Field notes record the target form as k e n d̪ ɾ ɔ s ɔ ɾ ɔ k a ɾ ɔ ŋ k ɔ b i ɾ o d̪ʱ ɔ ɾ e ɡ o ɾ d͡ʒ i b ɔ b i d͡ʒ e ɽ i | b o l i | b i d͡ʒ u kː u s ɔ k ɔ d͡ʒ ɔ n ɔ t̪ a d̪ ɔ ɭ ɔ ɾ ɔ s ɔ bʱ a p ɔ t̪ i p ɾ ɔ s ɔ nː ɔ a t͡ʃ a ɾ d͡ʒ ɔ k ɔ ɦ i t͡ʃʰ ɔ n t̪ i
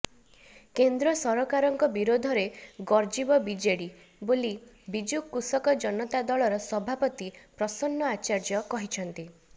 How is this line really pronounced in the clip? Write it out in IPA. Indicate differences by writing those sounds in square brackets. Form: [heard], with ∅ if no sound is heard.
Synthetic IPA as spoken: k e n d̪ ɾ ɔ s ɔ ɾ ɔ k a ɾ ɔ ŋ k ɔ b i ɾ o d̪ʱ ɔ ɾ e ɡ [ɔ] ɾ d͡ʒ i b ɔ b i d͡ʒ e ɽ i | b o l i | b i d͡ʒ u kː u s ɔ k ɔ d͡ʒ ɔ n ɔ t̪ a d̪ ɔ ɭ ɔ ɾ ɔ s ɔ bʱ a p ɔ t̪ i p ɾ ɔ s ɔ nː ɔ a t͡ʃ a ɾ d͡ʒ ɔ k ɔ ɦ i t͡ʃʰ ɔ n t̪ i